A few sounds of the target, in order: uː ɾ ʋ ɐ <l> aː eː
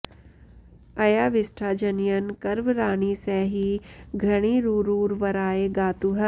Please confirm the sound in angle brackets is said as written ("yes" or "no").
no